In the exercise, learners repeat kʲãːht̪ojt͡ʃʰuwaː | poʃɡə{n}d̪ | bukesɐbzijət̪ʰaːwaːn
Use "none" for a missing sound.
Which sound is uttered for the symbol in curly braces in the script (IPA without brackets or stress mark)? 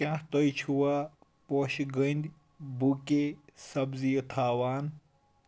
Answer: n